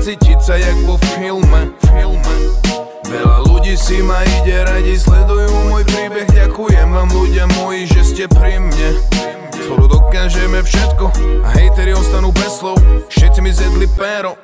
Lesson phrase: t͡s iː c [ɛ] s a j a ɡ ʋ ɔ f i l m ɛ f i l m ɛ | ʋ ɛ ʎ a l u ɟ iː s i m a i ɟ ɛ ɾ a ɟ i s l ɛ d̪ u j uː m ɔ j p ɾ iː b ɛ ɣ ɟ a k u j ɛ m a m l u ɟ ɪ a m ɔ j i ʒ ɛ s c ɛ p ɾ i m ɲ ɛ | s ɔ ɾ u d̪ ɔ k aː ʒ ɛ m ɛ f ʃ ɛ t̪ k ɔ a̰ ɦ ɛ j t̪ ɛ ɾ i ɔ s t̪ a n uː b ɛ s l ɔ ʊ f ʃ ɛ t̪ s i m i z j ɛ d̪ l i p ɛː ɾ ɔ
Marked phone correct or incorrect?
incorrect